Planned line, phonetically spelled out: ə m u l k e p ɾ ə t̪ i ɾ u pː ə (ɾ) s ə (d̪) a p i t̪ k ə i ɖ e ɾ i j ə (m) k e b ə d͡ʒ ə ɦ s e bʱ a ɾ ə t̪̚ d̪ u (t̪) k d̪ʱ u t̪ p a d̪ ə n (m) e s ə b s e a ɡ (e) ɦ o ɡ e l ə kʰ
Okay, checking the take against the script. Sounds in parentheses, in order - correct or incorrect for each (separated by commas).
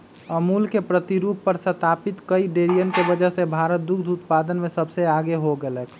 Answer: correct, incorrect, incorrect, incorrect, correct, correct